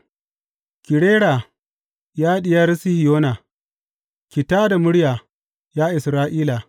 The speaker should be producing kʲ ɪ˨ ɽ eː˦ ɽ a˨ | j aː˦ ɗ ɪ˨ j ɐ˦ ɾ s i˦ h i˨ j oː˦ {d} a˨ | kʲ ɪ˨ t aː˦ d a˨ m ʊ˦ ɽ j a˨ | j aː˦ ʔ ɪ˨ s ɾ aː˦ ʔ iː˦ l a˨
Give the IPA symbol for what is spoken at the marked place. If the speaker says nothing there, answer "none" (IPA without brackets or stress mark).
n